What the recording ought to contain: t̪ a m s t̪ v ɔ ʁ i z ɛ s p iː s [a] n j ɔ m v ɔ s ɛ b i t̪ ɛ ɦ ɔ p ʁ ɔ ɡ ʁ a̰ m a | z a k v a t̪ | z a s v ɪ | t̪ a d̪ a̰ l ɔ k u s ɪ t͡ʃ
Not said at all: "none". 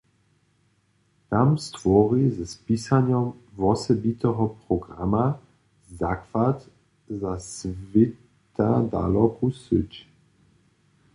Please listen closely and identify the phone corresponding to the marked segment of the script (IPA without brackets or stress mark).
a